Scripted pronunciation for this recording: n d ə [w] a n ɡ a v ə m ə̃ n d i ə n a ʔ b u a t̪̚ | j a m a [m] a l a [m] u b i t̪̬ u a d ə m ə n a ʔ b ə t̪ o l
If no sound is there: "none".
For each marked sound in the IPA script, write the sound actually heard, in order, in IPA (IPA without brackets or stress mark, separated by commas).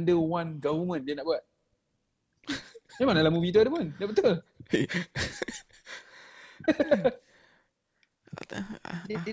w, n, m